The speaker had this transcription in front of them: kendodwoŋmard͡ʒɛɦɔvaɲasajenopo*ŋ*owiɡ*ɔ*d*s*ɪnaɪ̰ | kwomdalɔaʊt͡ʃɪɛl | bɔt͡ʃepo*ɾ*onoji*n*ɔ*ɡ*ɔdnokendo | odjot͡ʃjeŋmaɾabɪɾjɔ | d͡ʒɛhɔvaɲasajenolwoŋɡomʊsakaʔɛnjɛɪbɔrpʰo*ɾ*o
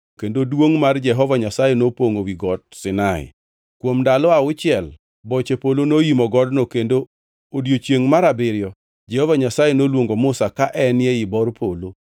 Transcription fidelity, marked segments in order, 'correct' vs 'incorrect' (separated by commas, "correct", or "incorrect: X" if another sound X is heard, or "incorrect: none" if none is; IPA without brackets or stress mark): correct, correct, correct, incorrect: l, incorrect: m, correct, incorrect: l